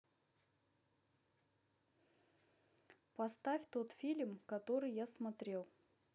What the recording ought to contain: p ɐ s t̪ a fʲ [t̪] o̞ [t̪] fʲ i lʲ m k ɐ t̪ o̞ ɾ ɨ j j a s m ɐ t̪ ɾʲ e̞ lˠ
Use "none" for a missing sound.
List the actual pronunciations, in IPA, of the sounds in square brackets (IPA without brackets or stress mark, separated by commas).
t̪, t̪